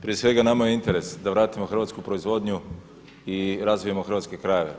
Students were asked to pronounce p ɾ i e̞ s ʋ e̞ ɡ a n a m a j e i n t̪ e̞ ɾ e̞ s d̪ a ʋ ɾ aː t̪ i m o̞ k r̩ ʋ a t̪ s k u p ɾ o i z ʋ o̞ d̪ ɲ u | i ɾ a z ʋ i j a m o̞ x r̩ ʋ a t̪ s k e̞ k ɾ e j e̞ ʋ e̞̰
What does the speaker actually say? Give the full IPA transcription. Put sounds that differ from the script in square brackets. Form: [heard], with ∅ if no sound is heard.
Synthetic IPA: p ɾ i e̞ s ʋ e̞ ɡ a n a m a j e i n t̪ e̞ ɾ e̞ s d̪ a ʋ ɾ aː t̪ i m o̞ [x] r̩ ʋ a t̪ s k u p ɾ o i z ʋ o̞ d̪ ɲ u | i ɾ a z ʋ i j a m o̞ x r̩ ʋ a t̪ s k e̞ k ɾ [a] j e̞ ʋ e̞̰